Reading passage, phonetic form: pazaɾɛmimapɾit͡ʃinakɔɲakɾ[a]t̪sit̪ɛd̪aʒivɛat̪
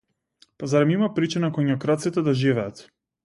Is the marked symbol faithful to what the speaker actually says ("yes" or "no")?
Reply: yes